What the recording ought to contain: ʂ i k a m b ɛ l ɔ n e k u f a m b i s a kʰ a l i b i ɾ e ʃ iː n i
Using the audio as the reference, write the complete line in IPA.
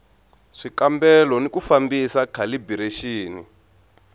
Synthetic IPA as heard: ʂ i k a m b ɛ l ɔ n i k u f a m b i s a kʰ a l i b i ɾ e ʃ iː n i